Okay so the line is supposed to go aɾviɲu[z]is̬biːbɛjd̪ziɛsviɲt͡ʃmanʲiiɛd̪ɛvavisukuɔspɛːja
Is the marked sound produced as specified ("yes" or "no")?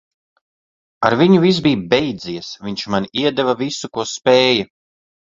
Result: no